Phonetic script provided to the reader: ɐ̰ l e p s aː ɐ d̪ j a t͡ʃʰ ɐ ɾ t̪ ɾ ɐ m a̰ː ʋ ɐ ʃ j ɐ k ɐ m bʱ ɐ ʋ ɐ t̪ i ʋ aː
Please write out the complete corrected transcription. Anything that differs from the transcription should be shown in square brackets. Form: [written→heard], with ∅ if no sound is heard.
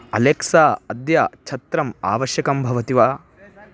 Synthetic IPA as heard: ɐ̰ l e [p→k] s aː ɐ d̪ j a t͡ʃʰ ɐ [ɾ→∅] t̪ ɾ ɐ m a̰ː ʋ ɐ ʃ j ɐ k ɐ m bʱ ɐ ʋ ɐ t̪ i ʋ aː